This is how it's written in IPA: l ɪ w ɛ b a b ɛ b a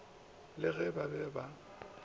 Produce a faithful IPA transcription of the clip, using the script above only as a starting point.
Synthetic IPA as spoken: l ɪ ɣ ɛ b a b ɛ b a